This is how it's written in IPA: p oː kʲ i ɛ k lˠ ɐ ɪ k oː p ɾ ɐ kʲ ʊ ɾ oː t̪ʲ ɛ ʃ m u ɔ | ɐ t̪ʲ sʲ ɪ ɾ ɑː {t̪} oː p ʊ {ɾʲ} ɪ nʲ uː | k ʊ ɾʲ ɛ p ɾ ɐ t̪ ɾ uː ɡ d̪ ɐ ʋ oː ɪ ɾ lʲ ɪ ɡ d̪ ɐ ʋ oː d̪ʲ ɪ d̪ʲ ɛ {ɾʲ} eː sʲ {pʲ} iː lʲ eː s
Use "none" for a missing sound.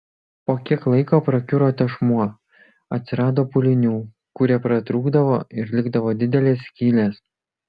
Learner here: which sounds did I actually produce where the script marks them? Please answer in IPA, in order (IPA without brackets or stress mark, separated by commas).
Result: d̪, lʲ, lʲ, kʲ